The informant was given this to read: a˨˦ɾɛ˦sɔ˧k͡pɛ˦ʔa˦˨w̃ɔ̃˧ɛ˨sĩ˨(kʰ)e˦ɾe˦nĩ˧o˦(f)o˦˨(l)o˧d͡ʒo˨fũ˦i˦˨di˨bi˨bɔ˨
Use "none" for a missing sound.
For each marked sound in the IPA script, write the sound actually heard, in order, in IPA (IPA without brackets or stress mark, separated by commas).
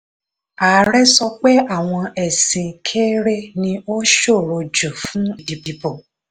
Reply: kʰ, ʃ, ɾ